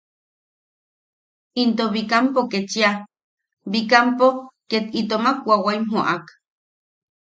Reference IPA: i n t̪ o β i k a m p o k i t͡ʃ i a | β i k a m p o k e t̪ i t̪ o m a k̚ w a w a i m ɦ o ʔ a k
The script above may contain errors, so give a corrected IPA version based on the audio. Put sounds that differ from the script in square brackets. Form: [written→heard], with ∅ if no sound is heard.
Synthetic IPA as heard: i n t̪ o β i k a m p o k [i→e] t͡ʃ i a | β i k a m p o k e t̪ i t̪ o m a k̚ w a w a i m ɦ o ʔ a k

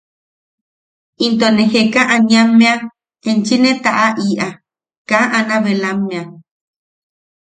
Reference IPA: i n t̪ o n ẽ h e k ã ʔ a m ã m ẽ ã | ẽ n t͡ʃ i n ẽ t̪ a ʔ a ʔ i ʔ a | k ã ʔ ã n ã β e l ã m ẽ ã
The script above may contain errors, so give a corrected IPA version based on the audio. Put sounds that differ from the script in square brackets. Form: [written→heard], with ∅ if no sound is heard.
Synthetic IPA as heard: i n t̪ o n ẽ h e k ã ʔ a [m→ɲ] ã m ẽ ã | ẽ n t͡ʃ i n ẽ t̪ a ʔ a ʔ i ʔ a | k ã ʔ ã n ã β e l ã m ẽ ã

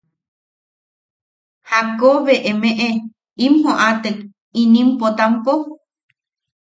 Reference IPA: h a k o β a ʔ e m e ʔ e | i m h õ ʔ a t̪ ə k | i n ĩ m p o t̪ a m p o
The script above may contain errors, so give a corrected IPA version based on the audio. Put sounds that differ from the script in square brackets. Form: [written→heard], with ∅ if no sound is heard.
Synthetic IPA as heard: h a k o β [a→e] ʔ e m e ʔ e | i m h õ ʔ a t̪ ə k | i n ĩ m p o t̪ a m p o

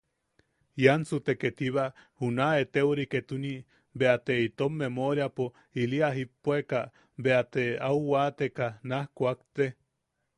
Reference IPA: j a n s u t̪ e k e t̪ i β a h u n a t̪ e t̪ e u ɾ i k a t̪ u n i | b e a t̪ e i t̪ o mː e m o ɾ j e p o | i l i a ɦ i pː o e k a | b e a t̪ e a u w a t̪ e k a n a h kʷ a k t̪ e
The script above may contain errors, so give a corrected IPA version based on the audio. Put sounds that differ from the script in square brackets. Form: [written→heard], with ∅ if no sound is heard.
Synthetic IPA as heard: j a n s u t̪ e k e t̪ i β a h u n a [t̪→∅] e t̪ e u ɾ i k [a→e] t̪ u n i | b e a t̪ e i t̪ o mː e m o ɾ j [e→a] p o | i l i a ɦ i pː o e k a | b e a t̪ e a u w a t̪ e k a n a h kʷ a k t̪ e

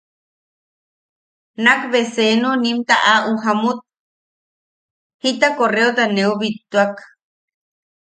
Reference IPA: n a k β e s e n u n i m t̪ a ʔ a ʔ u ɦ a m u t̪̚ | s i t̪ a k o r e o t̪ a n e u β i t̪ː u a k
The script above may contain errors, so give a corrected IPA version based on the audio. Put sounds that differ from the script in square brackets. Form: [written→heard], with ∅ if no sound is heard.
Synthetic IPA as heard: n a k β e s e n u n i m t̪ a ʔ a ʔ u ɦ a m u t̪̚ | [s→h] i t̪ a k o r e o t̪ a n e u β i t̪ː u a k

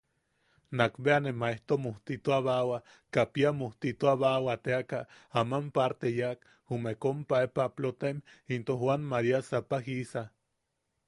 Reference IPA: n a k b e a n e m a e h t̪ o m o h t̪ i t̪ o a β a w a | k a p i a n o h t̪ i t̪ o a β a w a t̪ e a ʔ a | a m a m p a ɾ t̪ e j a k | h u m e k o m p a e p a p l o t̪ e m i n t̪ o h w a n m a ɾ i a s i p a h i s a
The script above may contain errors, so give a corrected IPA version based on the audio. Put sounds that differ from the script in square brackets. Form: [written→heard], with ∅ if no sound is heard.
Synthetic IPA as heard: n a k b e a n e m a e h t̪ o m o h t̪ i t̪ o a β a w a | k a p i a [n→m] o h t̪ i t̪ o a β a w a t̪ e a [ʔ→k] a | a m a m p a ɾ t̪ e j a k | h u m e k o m p a e p a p l o t̪ e m i n t̪ o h w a n m a ɾ i a s [i→a] p a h i s a

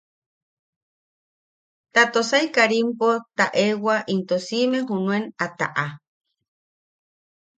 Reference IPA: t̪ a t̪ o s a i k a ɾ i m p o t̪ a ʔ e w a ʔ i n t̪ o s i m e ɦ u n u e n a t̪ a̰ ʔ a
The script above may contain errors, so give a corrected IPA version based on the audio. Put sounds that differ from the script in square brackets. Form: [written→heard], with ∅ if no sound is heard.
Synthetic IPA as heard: t̪ a t̪ o s a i k a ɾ i m p o t̪ a ʔ e w a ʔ i n t̪ o s i m e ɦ u n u e n a t̪ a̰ ʔ a

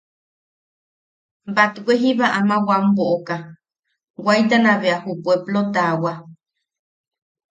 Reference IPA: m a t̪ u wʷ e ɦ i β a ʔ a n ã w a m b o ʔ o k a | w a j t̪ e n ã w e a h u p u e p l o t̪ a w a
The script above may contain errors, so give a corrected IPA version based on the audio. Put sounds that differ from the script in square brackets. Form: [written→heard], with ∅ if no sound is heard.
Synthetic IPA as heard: [m→b] a t̪ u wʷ e ɦ i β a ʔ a [n→m] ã w a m b o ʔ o k a | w a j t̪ [e→a] n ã [w→β] e a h u p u e p l o t̪ a w a

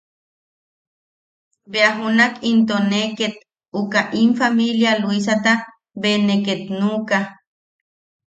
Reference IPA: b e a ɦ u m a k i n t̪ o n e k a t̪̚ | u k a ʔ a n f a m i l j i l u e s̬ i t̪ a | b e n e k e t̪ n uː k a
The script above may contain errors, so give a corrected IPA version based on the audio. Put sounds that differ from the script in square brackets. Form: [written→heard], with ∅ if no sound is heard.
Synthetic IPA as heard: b e a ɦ u [m→n] a k i n t̪ o n e k [a→e] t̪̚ | u k a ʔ [a→i] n f a m i l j [i→a] l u [e→i] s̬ [i→a] t̪ a | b e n e k e t̪ n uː k a

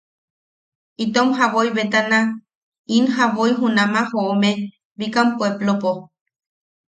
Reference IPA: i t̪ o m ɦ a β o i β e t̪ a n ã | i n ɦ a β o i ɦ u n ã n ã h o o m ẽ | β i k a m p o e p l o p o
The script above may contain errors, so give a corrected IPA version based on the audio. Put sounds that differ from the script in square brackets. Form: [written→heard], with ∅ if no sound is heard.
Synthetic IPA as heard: i t̪ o m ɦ a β o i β e t̪ a n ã | i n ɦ a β o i ɦ u n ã [n→m] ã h o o m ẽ | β i k a m p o e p l o p o

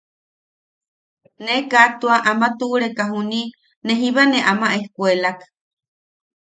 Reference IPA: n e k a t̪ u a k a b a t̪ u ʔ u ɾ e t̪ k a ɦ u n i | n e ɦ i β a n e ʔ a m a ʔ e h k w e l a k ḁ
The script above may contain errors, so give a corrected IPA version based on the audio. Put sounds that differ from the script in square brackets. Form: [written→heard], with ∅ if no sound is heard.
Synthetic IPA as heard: n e k a t̪ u a [k→ʔ] a [b→m] a t̪ u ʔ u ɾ e [t̪→∅] k a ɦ u n i | n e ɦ i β a n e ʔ a m a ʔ e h k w e l a k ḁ

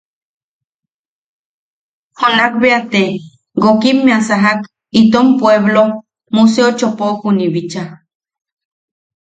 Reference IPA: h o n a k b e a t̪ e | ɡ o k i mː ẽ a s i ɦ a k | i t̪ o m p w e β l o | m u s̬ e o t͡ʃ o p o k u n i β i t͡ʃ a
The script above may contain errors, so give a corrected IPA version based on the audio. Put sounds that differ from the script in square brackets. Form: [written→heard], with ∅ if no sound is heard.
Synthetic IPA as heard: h o n a k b e a t̪ e | ɡ o k i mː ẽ a s [i→a] ɦ a k | i t̪ o m p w e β l o | m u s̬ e o t͡ʃ o p o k u n i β i t͡ʃ a

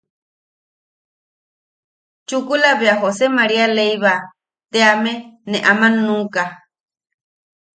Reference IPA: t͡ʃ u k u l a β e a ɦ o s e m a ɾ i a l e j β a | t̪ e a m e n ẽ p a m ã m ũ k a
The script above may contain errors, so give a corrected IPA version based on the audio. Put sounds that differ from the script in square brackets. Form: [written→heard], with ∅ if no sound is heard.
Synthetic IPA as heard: t͡ʃ u k u l a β e a ɦ o s e m a ɾ i a l e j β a | t̪ e a m e n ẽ [p→ʔ] a m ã [m→n] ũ k a

